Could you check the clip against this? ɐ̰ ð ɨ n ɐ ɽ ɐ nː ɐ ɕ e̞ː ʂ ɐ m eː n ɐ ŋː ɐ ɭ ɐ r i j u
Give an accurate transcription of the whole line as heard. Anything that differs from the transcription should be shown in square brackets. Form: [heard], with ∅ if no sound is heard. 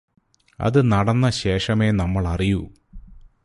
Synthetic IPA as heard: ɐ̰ ð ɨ n ɐ ɽ ɐ nː ɐ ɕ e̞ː ʂ ɐ m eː n ɐ [mː] ɐ ɭ ɐ r i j u